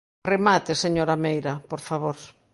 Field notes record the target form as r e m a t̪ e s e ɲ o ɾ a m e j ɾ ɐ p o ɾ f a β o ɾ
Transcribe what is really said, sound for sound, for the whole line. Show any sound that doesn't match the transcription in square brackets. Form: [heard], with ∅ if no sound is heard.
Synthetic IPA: r e m a t̪ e s e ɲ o ɾ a m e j ɾ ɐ p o ɾ f a β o ɾ